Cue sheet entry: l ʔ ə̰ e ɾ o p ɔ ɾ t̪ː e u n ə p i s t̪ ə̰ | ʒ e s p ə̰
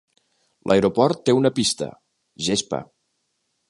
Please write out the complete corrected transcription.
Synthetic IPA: l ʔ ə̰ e ɾ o p ɔ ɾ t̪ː e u n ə p i s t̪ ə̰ | ʒ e s p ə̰